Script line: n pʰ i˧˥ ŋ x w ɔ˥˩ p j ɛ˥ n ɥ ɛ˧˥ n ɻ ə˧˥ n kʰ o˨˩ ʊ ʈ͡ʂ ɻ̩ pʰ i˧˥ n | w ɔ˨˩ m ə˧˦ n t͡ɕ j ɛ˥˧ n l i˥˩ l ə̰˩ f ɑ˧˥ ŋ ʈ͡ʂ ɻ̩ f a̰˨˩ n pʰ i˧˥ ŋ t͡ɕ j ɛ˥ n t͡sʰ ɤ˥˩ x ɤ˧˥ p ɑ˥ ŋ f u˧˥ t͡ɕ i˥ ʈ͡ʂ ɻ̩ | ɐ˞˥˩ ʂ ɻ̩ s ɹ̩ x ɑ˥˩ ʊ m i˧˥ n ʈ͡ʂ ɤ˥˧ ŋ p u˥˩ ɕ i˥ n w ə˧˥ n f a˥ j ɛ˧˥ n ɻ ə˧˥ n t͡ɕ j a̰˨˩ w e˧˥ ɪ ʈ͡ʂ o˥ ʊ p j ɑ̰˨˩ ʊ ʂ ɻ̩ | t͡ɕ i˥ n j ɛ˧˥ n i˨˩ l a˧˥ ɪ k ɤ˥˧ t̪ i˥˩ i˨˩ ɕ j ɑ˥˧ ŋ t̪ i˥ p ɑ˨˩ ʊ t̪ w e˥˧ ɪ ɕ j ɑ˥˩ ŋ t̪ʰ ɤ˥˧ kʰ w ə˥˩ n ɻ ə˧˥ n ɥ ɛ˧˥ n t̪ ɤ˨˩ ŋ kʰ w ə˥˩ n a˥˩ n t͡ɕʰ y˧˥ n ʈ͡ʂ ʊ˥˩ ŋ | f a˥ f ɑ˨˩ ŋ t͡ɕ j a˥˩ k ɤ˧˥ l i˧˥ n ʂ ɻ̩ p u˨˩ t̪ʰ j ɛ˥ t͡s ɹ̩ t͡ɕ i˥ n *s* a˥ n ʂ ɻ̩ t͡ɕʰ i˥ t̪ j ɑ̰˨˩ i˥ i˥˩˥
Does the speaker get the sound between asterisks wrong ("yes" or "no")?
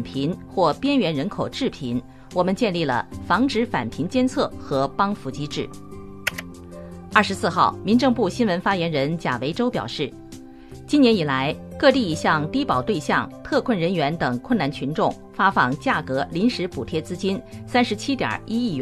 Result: no